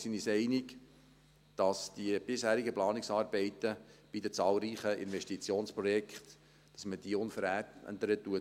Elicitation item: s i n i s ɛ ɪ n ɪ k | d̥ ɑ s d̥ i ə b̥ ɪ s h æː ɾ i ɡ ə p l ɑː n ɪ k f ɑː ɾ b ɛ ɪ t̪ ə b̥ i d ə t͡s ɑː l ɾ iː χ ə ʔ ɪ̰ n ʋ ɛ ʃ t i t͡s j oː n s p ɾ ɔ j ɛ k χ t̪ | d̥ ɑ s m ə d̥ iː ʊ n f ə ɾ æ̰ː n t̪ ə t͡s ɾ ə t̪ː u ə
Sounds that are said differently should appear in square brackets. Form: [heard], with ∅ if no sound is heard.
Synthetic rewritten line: s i n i s ɛ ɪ n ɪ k | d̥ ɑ s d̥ i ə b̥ ɪ s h æː ɾ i ɡ ə p l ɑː n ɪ k [s] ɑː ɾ b ɛ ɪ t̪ ə b̥ i d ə t͡s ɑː l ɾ iː χ ə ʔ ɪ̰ n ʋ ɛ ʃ t i t͡s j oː n s p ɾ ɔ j ɛ k χ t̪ | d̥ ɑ s m ə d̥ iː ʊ n f ə ɾ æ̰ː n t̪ ə [∅] ɾ ə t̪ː u ə